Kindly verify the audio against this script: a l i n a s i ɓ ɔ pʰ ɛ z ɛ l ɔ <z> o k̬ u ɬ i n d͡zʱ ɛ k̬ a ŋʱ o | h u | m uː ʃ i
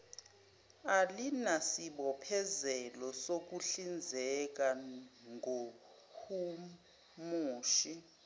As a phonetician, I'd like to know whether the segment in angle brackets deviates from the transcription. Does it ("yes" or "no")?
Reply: yes